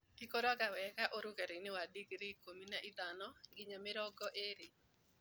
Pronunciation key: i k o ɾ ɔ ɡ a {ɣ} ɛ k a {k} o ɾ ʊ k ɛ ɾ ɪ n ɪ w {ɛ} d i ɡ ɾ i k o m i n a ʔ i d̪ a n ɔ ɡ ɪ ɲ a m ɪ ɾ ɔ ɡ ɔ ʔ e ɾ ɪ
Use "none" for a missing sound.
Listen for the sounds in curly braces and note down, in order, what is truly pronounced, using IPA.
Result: w, ʔ, a

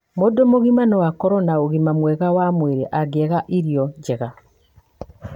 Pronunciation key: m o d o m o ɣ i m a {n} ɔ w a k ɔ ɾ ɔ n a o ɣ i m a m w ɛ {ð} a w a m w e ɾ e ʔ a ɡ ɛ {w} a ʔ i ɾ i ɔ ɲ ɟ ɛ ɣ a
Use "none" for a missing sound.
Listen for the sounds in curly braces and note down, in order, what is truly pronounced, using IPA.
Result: n, ɣ, ɣ

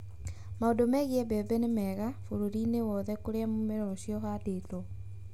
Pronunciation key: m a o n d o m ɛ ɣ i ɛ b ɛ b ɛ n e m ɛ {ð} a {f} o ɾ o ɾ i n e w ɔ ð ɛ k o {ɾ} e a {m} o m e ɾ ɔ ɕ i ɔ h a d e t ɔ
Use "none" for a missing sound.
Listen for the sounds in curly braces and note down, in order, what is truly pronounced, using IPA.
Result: ɣ, f, ɾ, m

